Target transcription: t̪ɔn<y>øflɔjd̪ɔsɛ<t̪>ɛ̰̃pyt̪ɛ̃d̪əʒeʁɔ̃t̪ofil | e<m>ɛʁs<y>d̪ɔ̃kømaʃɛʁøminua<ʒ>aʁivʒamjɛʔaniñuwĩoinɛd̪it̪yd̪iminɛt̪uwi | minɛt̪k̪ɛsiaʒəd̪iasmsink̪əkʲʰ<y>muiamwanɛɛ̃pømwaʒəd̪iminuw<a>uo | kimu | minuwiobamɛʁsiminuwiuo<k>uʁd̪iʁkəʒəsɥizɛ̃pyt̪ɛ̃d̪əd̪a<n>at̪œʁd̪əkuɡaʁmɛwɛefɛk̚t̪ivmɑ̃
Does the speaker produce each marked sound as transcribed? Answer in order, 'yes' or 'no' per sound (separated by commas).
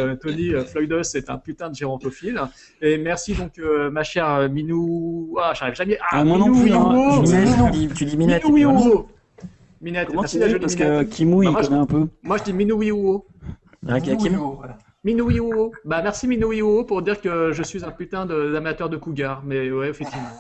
no, yes, yes, no, yes, no, no, no, no